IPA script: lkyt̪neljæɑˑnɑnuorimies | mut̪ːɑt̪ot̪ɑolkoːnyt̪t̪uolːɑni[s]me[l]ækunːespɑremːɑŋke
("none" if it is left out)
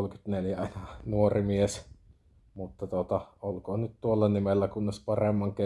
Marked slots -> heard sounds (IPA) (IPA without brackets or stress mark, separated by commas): none, lː